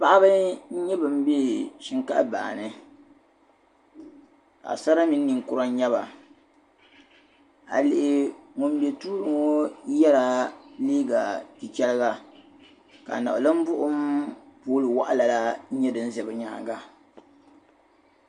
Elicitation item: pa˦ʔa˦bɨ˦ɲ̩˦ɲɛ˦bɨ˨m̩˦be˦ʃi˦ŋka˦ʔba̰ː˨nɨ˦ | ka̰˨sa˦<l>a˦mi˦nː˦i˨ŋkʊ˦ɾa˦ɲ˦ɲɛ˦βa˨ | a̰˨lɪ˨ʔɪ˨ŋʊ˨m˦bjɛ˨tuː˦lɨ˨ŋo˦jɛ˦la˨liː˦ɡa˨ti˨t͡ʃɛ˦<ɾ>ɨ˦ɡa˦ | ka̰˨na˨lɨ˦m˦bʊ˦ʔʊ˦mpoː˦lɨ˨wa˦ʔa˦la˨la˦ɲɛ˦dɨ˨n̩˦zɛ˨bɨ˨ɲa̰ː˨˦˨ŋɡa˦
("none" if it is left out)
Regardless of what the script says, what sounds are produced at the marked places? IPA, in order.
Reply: ɾ, l

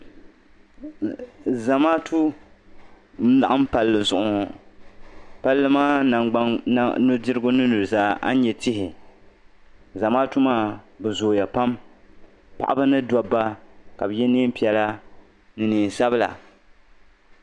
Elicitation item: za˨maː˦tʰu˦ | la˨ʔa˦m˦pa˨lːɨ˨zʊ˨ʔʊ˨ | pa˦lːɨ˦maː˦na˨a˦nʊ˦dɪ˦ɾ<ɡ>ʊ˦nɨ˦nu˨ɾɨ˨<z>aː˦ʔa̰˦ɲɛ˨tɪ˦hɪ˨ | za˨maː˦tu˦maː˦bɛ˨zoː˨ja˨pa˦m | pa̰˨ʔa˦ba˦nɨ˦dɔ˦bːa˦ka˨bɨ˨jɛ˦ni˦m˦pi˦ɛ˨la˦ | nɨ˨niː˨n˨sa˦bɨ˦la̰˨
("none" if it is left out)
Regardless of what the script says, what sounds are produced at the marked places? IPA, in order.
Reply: ɡ, z

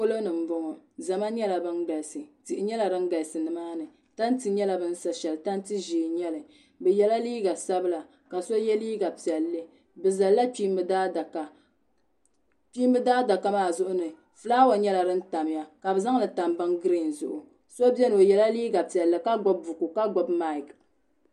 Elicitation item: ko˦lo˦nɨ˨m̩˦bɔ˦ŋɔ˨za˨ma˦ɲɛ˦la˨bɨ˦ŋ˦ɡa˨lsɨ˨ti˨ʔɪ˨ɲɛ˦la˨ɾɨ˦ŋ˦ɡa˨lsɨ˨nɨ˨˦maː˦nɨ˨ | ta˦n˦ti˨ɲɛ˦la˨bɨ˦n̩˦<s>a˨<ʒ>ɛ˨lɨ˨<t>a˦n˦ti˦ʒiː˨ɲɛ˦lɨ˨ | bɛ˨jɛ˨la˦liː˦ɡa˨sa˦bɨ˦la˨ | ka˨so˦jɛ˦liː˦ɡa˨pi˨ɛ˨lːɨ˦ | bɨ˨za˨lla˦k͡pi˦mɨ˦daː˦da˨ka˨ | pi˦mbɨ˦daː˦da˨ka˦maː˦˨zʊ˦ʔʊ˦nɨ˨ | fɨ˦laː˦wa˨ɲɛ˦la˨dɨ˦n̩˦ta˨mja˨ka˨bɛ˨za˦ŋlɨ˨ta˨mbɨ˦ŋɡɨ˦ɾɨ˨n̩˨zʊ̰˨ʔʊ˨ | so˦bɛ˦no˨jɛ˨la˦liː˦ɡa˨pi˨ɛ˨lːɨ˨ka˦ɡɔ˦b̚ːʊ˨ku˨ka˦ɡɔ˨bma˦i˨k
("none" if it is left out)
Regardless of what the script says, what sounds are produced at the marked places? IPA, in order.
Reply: s, ʃ, t

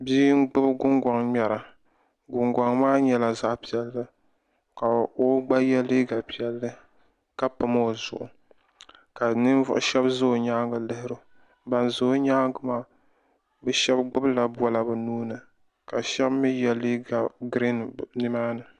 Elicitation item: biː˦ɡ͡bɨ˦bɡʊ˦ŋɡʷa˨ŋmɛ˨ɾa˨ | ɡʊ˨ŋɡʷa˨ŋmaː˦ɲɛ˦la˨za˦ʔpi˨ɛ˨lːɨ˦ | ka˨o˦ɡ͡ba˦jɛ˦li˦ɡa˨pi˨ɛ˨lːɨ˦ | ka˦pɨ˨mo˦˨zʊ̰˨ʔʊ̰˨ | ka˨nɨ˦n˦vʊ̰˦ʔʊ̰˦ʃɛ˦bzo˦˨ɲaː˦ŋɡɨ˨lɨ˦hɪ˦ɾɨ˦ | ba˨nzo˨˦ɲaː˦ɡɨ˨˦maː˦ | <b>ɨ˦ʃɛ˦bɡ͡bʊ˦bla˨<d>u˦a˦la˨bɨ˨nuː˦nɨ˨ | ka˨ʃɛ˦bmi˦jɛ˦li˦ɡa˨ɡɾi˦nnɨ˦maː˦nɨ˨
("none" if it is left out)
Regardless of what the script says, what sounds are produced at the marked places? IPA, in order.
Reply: b, b

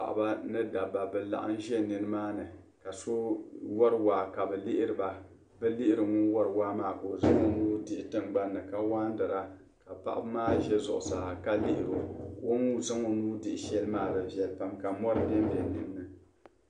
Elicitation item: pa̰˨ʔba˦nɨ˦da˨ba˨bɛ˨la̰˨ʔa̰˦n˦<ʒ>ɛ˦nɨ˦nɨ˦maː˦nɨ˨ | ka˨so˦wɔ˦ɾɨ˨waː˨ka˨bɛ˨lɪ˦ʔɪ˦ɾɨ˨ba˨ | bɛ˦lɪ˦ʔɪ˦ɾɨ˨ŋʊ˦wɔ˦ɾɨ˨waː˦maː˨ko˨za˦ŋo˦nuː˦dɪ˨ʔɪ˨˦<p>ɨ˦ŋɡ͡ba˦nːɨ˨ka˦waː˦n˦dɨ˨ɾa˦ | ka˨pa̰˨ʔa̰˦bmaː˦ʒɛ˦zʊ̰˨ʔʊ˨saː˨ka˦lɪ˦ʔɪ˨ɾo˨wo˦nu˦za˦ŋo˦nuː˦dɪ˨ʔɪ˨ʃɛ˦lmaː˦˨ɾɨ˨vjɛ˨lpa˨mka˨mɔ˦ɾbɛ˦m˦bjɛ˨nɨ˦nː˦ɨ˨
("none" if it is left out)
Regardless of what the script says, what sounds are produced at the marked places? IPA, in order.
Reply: ʒ, t

